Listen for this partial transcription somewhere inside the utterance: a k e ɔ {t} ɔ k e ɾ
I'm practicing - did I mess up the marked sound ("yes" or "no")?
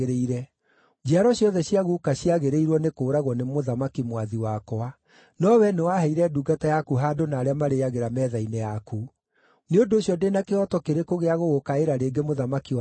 no